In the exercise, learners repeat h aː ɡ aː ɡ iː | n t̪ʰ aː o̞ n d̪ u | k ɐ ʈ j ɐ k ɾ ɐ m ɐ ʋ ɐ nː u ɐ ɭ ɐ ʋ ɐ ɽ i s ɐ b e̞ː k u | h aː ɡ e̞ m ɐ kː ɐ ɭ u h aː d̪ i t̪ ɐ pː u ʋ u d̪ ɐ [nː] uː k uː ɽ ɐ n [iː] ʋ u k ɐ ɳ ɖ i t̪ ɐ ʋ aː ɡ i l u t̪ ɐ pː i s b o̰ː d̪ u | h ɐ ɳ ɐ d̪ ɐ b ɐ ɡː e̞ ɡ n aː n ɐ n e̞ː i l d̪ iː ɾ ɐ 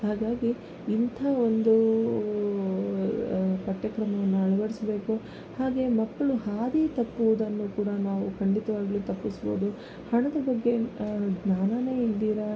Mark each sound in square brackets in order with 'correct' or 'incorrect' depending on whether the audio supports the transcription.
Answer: correct, incorrect: aː

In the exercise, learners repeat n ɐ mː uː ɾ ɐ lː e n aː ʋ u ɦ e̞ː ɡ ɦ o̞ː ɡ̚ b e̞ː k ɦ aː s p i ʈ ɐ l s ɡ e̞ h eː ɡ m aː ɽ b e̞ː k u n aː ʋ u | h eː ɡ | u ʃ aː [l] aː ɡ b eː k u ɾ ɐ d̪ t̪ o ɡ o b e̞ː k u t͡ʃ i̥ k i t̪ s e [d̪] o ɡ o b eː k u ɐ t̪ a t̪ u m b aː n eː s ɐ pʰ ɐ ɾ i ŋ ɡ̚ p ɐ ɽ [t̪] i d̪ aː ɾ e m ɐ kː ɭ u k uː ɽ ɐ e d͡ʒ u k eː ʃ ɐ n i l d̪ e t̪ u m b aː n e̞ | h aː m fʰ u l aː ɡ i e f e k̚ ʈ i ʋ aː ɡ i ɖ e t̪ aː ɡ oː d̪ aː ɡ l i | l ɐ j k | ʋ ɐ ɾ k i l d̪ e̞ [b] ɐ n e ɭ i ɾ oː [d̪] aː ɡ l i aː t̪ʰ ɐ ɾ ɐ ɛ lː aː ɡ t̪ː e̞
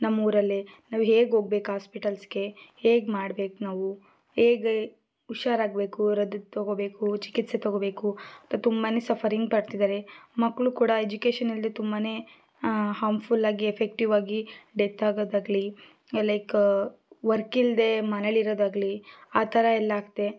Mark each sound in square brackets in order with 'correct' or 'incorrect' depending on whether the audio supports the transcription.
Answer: incorrect: ɾ, incorrect: t̪, correct, incorrect: m, correct

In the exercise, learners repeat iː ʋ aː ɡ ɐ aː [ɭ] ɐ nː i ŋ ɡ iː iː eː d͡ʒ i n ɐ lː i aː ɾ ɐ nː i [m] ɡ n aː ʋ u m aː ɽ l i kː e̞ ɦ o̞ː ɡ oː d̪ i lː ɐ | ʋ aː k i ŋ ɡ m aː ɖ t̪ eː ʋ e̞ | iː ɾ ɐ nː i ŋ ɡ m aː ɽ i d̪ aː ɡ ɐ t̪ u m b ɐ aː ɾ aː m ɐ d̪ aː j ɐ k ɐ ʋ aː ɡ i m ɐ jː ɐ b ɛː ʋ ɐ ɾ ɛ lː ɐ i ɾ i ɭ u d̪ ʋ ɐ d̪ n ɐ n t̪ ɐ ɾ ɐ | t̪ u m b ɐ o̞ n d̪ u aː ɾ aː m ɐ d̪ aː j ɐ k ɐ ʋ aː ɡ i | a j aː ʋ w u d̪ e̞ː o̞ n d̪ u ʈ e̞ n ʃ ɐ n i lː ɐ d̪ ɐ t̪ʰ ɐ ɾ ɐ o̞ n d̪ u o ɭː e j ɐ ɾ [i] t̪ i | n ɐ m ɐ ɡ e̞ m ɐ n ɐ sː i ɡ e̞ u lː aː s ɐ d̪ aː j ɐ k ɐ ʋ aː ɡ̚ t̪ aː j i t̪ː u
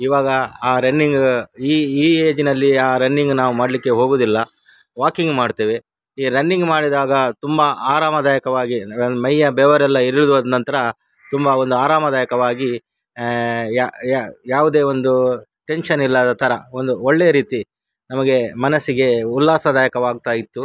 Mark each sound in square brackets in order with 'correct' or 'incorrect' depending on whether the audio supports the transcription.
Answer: incorrect: ɾ, incorrect: ŋ, incorrect: iː

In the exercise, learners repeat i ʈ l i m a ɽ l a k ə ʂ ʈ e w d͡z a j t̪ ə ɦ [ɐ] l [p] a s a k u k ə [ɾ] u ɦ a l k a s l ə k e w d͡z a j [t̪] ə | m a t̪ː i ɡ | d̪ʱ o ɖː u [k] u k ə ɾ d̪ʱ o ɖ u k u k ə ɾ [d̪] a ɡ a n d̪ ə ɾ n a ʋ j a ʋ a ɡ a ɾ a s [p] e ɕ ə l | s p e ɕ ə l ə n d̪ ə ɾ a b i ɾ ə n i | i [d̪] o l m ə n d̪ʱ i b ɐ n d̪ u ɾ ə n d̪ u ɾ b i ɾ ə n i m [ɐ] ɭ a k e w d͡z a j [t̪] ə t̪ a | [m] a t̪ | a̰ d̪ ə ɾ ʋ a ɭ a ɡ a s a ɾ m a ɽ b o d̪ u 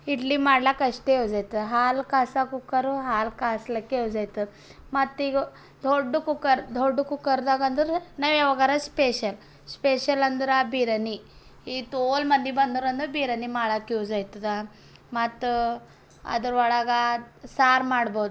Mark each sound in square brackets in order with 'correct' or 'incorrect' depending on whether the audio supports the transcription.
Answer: incorrect: a, incorrect: k, correct, correct, correct, correct, correct, incorrect: t̪, incorrect: a, correct, correct

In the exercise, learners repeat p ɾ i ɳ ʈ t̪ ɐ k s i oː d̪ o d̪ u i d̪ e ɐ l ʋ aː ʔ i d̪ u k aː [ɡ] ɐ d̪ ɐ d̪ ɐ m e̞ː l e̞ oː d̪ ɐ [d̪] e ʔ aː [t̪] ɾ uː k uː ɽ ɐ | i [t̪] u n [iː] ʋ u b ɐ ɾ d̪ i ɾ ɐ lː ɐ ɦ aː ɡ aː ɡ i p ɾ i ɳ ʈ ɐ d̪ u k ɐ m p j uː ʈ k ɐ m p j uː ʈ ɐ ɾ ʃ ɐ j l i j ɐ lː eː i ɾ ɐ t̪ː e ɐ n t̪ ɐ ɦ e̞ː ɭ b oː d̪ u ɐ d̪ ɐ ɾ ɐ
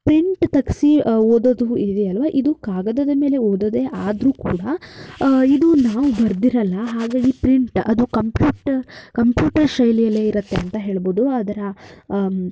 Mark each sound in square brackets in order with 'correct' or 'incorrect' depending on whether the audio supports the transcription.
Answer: correct, correct, incorrect: d̪, incorrect: d̪, incorrect: aː

